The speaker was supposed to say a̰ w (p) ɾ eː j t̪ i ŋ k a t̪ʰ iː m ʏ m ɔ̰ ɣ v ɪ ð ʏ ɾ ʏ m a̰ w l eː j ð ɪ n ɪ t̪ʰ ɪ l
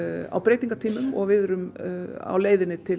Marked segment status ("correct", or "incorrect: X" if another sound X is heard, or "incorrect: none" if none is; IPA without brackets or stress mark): correct